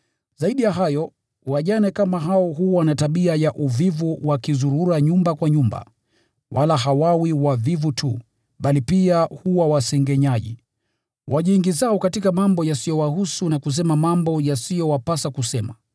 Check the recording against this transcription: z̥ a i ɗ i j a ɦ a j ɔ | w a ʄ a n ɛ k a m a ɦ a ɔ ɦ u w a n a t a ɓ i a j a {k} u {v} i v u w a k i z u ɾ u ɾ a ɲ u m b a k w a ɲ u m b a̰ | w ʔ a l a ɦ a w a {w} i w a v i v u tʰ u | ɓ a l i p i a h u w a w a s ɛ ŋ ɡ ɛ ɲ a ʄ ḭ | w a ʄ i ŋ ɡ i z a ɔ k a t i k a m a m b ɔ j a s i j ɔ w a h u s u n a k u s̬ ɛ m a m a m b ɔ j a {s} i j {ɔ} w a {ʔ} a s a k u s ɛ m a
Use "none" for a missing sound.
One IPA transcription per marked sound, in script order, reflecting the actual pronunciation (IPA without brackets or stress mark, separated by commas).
ʔ, v, w, s, ɔ, p